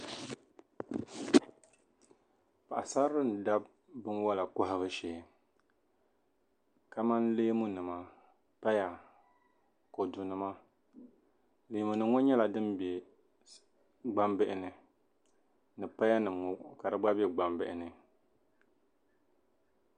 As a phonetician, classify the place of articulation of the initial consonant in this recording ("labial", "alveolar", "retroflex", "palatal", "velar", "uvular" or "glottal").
labial